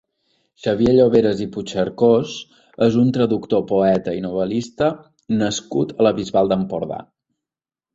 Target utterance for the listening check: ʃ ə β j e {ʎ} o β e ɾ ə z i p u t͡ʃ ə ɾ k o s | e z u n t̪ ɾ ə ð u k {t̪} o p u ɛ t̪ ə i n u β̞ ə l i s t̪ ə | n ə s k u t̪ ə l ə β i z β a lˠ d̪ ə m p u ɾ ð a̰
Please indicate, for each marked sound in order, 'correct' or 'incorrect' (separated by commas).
correct, correct